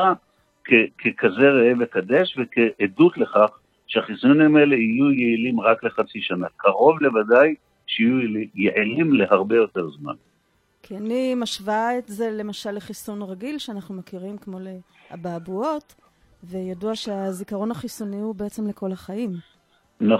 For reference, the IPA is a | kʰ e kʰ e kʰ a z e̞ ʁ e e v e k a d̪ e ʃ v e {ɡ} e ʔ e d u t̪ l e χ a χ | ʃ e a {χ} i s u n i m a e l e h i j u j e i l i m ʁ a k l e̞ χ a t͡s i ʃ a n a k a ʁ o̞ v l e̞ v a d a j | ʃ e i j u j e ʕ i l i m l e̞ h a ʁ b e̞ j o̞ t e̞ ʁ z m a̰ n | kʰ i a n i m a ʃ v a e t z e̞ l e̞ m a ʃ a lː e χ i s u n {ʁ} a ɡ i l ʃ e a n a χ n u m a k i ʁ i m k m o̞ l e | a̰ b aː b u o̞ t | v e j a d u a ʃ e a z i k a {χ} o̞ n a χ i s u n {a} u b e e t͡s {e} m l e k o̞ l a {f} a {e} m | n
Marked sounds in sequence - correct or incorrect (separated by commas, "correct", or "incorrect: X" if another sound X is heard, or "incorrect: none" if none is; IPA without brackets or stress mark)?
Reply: incorrect: k, correct, correct, incorrect: ʁ, incorrect: i, correct, incorrect: χ, incorrect: i